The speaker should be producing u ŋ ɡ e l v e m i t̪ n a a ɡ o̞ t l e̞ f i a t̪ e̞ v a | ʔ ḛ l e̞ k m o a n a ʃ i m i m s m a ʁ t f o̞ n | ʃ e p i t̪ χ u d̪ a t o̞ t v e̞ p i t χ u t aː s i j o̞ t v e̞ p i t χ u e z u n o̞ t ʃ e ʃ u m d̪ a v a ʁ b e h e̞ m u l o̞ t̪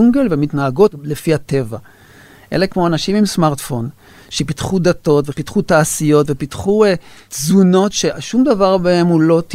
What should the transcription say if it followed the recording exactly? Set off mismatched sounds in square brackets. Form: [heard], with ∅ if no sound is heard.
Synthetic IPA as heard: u ŋ ɡ e l v e m i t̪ n a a ɡ o̞ t l e̞ f i a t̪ e̞ v a | ʔ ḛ l e̞ k m o a n a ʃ i m i m s m a ʁ t f o̞ n | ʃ e p i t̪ χ u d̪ a t o̞ t v e̞ p i t χ u t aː s i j o̞ t v e̞ p i t χ u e z u n o̞ t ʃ e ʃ u m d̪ a v a ʁ b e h e̞ m u l o̞ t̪